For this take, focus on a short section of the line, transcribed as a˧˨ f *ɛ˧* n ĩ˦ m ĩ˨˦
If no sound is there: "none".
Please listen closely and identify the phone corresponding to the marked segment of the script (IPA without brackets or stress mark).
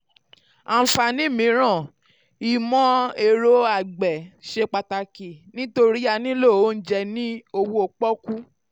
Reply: a˧